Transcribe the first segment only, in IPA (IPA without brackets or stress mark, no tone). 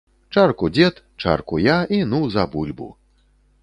t͡ʂ